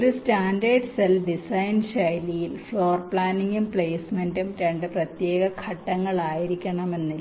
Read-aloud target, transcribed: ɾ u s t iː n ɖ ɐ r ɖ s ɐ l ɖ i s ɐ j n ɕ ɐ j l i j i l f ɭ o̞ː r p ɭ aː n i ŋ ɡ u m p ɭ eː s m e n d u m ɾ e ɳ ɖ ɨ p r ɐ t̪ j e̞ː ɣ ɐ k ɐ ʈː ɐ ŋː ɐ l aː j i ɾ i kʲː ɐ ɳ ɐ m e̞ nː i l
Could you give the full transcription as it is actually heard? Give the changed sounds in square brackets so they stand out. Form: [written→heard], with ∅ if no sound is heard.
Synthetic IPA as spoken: ɾ u s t [iː→aː] n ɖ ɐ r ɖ s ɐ l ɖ i s ɐ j n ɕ ɐ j l i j i l f ɭ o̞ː r p ɭ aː n i ŋ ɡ u m p ɭ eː s m e n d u m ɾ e ɳ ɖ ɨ p r ɐ t̪ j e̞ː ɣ ɐ [k→kʰ] ɐ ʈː ɐ ŋː ɐ [l→ɭ] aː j i ɾ i kʲː ɐ ɳ ɐ m e̞ nː i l